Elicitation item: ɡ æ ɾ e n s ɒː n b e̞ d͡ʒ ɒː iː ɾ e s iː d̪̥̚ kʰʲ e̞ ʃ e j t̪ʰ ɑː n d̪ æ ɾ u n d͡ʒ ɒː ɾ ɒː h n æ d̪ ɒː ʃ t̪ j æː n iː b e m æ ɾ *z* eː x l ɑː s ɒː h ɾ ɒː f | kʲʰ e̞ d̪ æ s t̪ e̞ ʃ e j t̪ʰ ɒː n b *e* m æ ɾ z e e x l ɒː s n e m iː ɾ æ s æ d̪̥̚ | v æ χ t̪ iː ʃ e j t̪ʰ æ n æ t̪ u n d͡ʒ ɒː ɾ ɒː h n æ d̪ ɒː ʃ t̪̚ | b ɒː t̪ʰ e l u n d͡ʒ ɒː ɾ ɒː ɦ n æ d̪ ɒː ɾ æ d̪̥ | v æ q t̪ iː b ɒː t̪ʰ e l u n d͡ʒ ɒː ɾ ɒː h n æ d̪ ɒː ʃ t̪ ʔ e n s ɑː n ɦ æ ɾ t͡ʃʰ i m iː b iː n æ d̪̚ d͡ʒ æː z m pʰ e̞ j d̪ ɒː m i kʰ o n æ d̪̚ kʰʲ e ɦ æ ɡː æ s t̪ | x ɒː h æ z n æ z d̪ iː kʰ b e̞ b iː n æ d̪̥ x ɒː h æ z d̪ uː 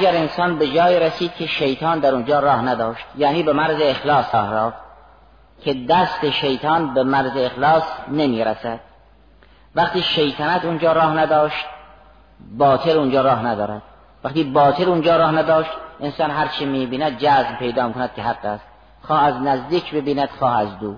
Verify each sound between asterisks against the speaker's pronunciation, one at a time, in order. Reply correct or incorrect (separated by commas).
correct, correct